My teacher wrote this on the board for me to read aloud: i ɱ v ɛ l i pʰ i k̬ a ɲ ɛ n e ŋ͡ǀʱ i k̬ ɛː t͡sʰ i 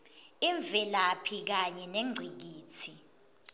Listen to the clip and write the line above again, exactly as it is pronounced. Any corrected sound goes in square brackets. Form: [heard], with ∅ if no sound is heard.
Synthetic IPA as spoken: i ɱ v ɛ l [a] pʰ i k̬ a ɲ ɛ n e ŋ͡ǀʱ i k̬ [iː] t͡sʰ i